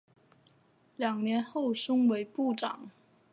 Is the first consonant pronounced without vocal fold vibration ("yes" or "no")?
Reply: no